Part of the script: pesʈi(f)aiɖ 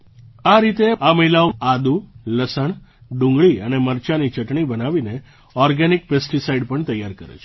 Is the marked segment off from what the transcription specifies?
yes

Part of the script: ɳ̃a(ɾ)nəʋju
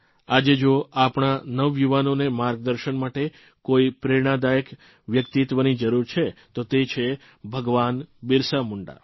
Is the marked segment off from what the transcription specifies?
yes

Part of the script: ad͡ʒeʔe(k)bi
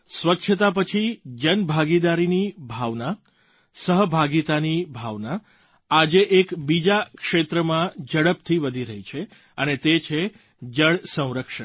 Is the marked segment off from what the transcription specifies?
no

